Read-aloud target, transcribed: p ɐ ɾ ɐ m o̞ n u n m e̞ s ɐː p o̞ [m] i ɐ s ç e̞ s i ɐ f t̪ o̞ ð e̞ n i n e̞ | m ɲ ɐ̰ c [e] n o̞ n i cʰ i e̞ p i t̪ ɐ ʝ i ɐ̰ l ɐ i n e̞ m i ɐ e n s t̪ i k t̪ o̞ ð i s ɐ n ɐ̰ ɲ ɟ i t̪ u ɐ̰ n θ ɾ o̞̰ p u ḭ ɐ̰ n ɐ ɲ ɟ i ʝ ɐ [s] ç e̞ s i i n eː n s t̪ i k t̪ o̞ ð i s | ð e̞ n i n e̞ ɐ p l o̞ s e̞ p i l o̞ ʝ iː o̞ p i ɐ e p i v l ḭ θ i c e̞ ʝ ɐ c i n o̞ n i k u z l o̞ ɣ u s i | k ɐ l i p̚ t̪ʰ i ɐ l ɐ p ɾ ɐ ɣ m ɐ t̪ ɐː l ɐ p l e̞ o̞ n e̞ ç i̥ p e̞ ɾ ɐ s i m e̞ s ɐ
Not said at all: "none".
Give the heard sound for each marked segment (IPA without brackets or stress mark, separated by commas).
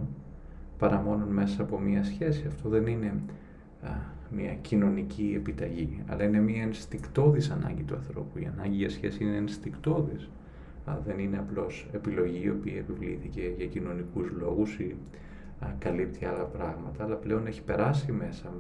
m, i, s